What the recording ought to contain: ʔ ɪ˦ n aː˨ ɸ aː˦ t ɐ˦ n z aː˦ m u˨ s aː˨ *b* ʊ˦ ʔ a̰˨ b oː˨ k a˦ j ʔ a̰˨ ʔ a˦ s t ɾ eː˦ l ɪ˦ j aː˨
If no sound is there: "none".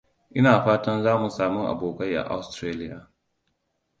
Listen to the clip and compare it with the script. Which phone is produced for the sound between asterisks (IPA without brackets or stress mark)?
m